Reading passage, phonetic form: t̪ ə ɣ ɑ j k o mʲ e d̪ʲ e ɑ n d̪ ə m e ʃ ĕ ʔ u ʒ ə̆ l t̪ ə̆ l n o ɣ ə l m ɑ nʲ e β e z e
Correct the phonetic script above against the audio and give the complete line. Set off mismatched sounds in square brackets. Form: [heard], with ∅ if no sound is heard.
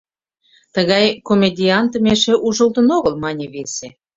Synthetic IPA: t̪ ə ɣ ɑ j k o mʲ e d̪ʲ [i] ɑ n [t̪] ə m e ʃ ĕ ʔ u ʒ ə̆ l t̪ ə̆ [∅] n o ɣ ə l m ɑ nʲ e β e [s] e